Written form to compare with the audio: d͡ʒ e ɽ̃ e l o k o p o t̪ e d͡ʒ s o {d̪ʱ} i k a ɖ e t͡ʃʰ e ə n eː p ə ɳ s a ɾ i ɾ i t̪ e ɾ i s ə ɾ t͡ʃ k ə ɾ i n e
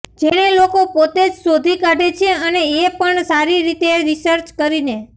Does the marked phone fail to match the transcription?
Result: no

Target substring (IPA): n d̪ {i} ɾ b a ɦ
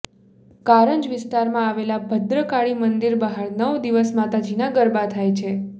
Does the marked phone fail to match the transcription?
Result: no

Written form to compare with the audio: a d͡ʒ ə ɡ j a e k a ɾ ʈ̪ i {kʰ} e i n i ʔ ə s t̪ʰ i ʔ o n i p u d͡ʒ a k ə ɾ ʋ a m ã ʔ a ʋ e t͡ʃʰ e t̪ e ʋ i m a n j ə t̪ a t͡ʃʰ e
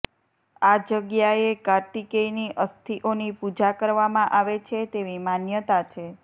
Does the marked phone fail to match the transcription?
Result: yes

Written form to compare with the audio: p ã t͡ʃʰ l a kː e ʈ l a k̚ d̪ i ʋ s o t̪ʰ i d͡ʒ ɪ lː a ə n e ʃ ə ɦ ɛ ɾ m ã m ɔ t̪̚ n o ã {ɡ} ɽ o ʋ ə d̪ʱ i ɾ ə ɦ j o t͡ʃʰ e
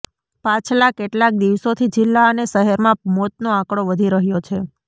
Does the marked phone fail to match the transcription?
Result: yes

